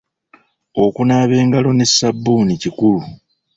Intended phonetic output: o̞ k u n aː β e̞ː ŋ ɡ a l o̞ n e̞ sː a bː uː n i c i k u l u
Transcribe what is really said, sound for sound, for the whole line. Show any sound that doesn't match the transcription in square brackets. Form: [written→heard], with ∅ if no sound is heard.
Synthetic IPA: o̞ k u n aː β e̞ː ŋ ɡ a l o̞ n e̞ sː a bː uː n i c i k u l u